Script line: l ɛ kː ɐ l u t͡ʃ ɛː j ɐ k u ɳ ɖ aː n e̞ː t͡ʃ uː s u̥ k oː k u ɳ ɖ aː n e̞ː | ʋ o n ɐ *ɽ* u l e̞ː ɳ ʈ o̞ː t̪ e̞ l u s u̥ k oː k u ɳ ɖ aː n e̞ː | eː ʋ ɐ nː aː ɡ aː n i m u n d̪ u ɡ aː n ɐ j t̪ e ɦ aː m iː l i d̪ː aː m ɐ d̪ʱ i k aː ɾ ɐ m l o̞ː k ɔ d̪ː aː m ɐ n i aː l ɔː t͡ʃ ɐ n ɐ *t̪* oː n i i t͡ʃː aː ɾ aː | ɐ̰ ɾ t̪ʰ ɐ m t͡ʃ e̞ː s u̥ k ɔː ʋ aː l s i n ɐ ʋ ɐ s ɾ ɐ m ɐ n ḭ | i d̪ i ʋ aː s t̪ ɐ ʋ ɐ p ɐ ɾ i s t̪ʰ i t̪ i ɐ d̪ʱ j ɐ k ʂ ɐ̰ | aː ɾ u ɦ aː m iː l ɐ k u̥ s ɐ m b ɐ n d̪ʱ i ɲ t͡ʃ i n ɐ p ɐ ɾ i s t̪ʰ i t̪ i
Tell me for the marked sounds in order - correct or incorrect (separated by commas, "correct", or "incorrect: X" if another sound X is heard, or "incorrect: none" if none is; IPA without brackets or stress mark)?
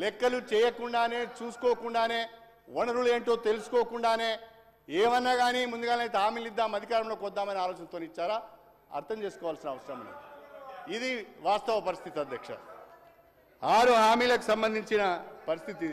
incorrect: ɾ, correct